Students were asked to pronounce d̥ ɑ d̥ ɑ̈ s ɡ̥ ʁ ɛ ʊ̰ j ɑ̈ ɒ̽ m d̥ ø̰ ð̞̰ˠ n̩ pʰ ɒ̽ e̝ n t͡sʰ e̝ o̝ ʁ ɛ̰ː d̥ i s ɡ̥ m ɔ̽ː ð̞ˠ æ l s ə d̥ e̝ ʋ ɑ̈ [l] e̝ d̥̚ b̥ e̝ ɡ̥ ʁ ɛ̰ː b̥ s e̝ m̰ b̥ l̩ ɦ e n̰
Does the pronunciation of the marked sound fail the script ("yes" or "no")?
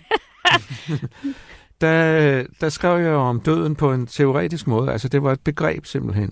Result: yes